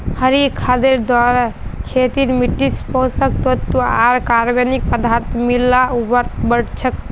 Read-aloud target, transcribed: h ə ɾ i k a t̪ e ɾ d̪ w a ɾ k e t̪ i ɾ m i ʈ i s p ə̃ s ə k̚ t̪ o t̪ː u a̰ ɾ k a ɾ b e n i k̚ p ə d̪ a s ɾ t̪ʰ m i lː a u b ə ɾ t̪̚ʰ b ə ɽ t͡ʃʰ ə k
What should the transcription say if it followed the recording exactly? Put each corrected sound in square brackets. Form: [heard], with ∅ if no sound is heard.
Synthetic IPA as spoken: h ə ɾ i [kʰ] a [d̪] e ɾ d̪ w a ɾ [kʰ] e t̪ i ɾ m i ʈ i s p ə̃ s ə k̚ t̪ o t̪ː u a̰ ɾ k a ɾ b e n i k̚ p ə d̪ a [∅] ɾ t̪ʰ m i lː a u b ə ɾ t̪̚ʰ b ə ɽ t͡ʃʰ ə k